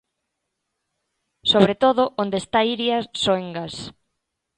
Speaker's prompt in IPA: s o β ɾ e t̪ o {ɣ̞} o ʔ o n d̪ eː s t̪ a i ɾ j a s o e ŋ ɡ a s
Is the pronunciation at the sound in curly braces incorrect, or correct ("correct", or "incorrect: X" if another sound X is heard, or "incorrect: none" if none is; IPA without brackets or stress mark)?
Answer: incorrect: ð̞